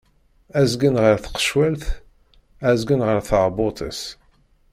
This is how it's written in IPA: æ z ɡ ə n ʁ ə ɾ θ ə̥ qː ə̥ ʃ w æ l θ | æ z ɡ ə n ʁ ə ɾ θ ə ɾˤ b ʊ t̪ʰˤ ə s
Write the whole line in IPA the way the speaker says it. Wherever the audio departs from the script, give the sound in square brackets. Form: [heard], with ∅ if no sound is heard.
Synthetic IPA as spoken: æ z ɡ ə n ʁ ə ɾ θ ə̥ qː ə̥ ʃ w æ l θ | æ z ɡ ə n ʁ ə ɾ θ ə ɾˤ b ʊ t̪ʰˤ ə s